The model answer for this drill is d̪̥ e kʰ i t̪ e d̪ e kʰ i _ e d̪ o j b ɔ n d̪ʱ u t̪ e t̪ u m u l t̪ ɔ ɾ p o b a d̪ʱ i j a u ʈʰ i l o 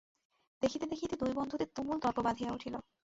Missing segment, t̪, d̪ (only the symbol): t̪